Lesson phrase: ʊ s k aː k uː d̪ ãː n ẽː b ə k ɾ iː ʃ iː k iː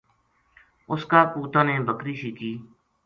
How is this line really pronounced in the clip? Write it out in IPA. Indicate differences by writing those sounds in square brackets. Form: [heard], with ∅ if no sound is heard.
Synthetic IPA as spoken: ʊ s k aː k uː [t̪] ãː n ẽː b ə k ɾ iː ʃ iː k iː